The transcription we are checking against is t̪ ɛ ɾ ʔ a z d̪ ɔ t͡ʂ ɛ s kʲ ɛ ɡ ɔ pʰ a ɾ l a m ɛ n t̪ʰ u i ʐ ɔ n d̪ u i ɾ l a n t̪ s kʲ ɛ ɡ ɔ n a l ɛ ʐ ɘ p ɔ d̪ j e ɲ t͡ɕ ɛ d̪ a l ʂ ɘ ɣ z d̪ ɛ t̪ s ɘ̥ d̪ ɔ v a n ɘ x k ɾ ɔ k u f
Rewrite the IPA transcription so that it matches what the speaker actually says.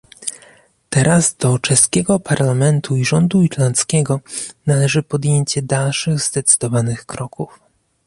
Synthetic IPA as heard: t̪ ɛ ɾ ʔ a z d̪ ɔ t͡ʂ ɛ s kʲ ɛ ɡ ɔ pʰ a ɾ l a m ɛ n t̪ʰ u i ʐ ɔ n d̪ u i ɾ l a n t̪ s kʲ ɛ ɡ ɔ n a l ɛ ʐ ɘ p ɔ d̪ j e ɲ t͡ɕ ɛ d̪ a l ʂ ɘ ɣ z d̪ ɛ t̪ s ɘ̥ d̪ ɔ v a n ɘ x k ɾ ɔ k u f